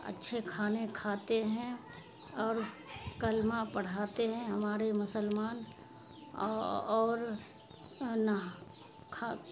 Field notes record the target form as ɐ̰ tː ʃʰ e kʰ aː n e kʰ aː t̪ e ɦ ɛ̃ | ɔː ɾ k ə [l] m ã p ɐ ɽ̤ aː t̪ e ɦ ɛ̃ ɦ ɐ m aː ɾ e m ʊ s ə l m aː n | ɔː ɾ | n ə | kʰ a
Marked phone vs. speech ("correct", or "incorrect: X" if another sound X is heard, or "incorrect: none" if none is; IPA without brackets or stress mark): correct